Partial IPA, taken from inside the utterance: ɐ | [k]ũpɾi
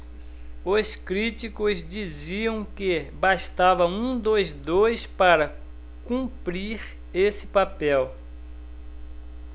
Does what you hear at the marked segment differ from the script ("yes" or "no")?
no